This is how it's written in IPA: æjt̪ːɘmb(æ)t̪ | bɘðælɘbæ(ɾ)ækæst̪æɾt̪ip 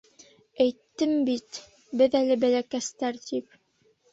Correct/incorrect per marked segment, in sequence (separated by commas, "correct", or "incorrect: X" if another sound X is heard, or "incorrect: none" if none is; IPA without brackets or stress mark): incorrect: i, incorrect: l